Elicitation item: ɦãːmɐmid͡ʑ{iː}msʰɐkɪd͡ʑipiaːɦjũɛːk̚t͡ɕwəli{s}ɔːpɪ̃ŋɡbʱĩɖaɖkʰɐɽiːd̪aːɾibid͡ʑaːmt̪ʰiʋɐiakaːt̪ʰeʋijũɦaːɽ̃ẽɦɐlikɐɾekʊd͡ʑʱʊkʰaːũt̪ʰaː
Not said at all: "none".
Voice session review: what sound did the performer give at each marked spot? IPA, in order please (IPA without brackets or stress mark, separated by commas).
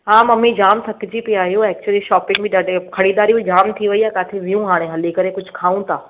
aː, ʃ